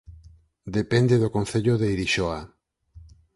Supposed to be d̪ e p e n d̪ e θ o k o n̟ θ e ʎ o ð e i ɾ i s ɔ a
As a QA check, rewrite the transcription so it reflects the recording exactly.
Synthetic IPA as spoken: d̪ e p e n d̪ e ð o k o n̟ θ e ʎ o ð e i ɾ i ʃ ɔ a